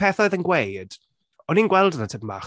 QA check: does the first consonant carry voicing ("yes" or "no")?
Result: no